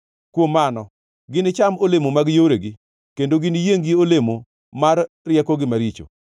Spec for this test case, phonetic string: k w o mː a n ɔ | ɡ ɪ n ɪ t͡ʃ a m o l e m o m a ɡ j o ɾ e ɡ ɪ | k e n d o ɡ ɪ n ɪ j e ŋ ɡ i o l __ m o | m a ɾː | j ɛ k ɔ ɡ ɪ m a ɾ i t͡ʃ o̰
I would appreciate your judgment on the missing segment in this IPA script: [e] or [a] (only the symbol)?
e